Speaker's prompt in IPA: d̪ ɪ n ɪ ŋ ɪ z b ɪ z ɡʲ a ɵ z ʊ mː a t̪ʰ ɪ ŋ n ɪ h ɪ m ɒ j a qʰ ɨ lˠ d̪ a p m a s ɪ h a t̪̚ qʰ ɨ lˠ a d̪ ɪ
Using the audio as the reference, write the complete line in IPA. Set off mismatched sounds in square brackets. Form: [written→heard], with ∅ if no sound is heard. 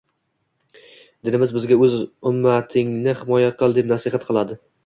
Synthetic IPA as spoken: d̪ ɪ n ɪ [ŋ→m] ɪ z b ɪ z ɡʲ a ɵ z ʊ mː a t̪ʰ ɪ ŋ n ɪ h ɪ m ɒ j a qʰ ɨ lˠ d̪ [a→e] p [m→n] a s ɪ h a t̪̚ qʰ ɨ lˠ a d̪ ɪ